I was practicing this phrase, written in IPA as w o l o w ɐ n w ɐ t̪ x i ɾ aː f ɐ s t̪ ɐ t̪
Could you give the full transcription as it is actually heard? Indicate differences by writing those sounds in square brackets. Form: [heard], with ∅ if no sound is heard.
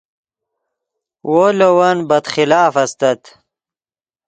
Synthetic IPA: w o l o w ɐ n [b] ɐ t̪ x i [l] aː f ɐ s t̪ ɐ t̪

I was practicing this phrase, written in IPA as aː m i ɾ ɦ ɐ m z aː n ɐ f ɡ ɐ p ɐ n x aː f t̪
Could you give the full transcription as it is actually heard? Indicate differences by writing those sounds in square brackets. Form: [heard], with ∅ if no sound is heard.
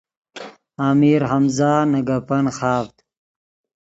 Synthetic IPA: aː m i ɾ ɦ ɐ m z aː n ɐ [∅] ɡ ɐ p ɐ n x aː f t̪

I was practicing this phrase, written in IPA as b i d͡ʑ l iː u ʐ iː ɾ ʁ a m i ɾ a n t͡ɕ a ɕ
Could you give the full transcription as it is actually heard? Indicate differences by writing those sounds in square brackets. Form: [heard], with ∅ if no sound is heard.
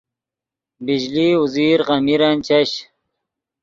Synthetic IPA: b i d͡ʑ l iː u [z] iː ɾ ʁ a m i ɾ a n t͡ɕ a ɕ

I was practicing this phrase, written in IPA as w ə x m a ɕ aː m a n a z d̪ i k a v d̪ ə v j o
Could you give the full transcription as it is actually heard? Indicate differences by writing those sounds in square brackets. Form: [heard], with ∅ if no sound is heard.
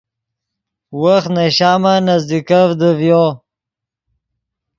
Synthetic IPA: w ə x [n] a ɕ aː m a n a z d̪ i k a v d̪ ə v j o

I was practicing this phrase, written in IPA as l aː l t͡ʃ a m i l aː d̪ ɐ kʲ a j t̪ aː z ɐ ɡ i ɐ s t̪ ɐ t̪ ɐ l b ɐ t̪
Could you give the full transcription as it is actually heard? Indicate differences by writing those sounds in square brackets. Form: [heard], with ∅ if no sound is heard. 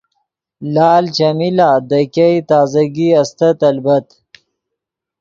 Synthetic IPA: l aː l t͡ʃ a m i l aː d̪ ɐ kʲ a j t̪ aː z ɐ ɡ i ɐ s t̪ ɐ t̪ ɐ l b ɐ t̪

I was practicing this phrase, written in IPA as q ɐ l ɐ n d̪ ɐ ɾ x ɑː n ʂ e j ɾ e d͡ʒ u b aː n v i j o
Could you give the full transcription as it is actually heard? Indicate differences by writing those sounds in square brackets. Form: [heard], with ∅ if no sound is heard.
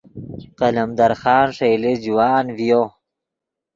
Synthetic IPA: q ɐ l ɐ [m] d̪ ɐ ɾ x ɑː n ʂ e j [l] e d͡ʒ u [w] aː n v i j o

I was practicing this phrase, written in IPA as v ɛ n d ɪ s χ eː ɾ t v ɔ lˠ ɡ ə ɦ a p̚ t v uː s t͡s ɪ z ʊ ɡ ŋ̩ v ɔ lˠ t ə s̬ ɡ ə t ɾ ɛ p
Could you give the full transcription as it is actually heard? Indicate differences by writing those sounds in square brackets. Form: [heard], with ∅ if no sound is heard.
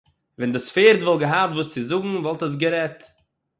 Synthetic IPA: v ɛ n d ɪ s [f] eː ɾ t v ɔ lˠ ɡ ə ɦ a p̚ t v uː s t͡s ɪ z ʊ ɡ ŋ̩ v ɔ lˠ t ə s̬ ɡ ə [∅] ɾ ɛ [t]

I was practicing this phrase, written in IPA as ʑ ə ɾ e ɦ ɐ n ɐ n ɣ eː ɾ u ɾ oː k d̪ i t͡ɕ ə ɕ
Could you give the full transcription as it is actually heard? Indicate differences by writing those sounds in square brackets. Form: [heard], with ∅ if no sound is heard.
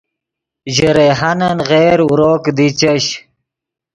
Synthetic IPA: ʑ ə ɾ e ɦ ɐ n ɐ n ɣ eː ɾ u ɾ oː k d̪ i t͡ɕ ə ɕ

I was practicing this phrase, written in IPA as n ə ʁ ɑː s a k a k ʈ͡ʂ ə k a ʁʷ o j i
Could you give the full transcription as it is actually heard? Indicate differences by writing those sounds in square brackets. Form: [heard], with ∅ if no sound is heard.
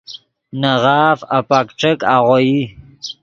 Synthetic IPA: n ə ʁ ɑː [f] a [p] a k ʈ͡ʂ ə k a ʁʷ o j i

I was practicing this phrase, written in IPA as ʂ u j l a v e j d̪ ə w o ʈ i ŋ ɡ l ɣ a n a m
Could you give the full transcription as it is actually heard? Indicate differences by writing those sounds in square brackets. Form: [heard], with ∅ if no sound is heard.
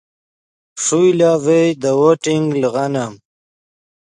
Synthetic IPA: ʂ u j l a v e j d̪ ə w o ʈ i ŋ ɡ l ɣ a n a m

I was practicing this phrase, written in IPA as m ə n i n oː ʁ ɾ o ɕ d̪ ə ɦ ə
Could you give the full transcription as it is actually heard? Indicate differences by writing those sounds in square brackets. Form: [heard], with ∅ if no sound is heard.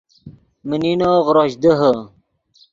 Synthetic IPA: m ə n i n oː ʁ ɾ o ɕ d̪ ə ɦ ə

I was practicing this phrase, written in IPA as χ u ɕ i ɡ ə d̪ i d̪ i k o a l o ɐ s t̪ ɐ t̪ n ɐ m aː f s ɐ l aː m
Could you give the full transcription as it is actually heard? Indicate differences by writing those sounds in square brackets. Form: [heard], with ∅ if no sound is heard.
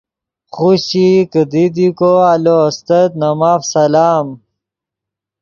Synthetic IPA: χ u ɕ i [k] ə d̪ i d̪ i k o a l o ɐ s t̪ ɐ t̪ n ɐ m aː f s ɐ l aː m

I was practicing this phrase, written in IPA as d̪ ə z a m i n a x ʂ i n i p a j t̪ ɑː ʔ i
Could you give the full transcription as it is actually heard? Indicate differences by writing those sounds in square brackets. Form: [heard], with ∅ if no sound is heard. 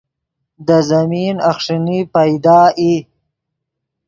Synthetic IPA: d̪ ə z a m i n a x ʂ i n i p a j [d̪] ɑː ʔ i

